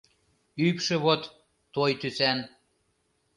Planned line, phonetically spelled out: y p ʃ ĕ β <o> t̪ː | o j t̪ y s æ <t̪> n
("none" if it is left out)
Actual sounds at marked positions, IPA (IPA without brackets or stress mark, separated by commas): o, none